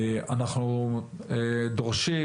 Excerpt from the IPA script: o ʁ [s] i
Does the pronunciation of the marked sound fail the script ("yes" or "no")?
yes